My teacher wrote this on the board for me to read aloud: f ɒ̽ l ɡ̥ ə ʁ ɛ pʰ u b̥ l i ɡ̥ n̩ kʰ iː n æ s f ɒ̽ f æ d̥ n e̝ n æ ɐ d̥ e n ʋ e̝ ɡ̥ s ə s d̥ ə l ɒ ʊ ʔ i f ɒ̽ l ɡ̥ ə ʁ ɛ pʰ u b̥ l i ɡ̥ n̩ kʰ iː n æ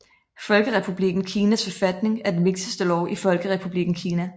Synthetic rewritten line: f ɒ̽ l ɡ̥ ə ʁ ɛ pʰ u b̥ l i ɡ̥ n̩ kʰ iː n æ s f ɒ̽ f æ d̥ n e̝ ŋ æ ɐ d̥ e n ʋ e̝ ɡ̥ s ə s d̥ ə l ɒ ʊ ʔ i f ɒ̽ l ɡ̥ ə ʁ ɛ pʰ u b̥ l i ɡ̥ n̩ kʰ iː n æ